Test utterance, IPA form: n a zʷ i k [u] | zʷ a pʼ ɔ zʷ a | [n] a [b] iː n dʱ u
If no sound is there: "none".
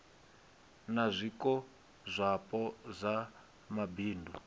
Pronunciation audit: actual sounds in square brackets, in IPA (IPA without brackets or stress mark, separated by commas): ɔ, m, b